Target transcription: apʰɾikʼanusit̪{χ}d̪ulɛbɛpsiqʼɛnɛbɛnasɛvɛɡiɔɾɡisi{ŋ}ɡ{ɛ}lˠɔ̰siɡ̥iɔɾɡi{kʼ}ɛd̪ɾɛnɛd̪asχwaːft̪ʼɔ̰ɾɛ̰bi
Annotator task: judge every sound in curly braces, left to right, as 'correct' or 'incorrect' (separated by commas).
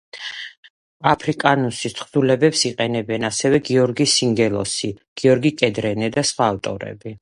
correct, correct, correct, correct